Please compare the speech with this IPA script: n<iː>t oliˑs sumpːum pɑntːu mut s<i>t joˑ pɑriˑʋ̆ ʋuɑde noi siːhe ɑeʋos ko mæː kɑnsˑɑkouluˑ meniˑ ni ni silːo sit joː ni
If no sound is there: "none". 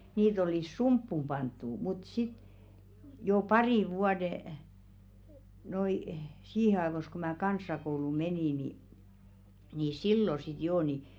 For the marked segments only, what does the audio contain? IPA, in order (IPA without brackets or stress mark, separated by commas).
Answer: iː, i